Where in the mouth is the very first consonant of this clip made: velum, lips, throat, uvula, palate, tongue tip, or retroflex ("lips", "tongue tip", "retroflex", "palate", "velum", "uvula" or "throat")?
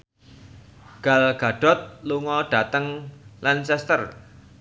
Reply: velum